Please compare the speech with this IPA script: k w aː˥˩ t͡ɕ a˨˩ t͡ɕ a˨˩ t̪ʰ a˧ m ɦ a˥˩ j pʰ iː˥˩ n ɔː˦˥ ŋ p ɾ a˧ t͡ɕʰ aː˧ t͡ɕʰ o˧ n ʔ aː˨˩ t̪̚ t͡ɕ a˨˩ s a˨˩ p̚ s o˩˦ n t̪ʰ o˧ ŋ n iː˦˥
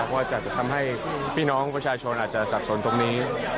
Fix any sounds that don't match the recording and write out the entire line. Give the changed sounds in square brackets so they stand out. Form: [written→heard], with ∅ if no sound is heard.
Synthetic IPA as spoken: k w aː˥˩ t͡ɕ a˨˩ t͡ɕ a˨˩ t̪ʰ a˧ m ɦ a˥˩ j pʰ iː˥˩ n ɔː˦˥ ŋ p ɾ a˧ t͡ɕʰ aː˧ t͡ɕʰ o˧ n ʔ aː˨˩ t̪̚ t͡ɕ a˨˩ s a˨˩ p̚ s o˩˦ n [t̪ʰ→t̪] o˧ ŋ n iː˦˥